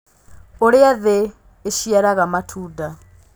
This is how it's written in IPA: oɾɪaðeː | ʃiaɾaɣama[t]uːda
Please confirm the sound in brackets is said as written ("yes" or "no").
no